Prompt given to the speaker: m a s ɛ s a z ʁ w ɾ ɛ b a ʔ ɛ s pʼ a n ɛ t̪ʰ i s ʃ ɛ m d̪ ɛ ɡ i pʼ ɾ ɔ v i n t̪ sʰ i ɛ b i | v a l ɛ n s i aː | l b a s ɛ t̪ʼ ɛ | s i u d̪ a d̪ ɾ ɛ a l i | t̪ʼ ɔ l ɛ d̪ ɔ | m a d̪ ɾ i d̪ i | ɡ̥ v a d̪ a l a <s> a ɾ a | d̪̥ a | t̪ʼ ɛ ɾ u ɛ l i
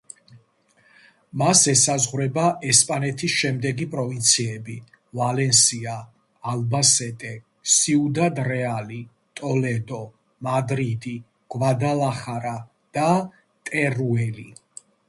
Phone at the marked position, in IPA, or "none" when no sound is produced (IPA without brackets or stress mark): χ